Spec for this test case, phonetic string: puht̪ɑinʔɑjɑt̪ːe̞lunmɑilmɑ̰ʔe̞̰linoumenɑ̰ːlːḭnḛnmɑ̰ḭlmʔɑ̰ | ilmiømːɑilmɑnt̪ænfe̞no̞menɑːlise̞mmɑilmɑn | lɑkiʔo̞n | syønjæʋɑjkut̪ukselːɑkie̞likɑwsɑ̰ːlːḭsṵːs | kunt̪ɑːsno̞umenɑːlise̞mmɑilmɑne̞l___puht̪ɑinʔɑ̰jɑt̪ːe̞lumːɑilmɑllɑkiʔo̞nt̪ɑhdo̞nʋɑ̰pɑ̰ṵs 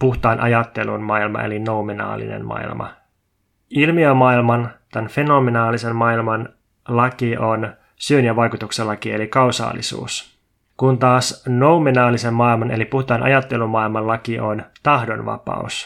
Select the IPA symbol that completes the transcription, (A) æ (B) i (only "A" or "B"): B